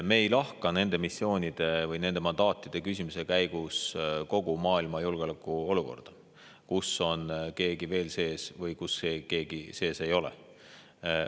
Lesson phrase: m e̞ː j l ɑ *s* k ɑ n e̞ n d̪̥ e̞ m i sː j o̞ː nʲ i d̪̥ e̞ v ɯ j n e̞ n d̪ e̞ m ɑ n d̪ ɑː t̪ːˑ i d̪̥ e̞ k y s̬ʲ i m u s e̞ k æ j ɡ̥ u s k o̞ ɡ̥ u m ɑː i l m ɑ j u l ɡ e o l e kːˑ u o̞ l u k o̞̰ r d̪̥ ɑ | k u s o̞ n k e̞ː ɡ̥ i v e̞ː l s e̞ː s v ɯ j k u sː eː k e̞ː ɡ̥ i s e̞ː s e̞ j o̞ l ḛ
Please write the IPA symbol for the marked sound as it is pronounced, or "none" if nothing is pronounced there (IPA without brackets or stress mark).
h